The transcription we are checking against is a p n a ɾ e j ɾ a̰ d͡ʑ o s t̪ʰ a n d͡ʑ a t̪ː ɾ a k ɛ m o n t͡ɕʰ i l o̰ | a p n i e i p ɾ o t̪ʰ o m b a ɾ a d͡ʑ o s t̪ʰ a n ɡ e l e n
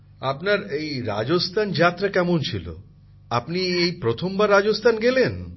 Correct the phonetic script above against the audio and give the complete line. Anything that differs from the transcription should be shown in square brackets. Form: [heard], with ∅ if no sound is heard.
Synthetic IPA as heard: a p n a ɾ e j ɾ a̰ d͡ʑ o s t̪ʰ a n d͡ʑ a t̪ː ɾ a k ɛ m o n t͡ɕʰ i l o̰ | a p n i e [j] p ɾ o t̪ʰ o m b a [ɾː] a d͡ʑ o s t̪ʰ a n ɡ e l e n